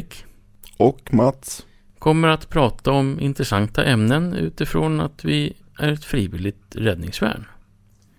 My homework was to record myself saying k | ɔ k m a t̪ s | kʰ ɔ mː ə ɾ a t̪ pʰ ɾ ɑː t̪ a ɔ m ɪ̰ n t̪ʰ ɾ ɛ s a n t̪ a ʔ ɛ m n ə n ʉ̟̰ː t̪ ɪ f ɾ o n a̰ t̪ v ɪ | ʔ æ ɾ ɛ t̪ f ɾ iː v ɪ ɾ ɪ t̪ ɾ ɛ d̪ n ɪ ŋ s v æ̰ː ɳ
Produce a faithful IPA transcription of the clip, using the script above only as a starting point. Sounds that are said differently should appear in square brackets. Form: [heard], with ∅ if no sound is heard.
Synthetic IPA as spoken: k | ɔ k m a t̪ s | kʰ ɔ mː ə ɾ a t̪ pʰ ɾ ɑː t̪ a ɔ m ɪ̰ n [t̪] ɾ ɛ s a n t̪ a ʔ ɛ m n ə n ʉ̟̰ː t̪ ɪ f ɾ o n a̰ t̪ v ɪ | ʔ æ ɾ ɛ t̪ f ɾ iː v ɪ [l] ɪ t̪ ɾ ɛ d̪ n ɪ ŋ s v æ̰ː ɳ